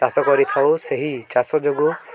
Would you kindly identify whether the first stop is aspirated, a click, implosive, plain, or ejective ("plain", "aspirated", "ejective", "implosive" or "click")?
plain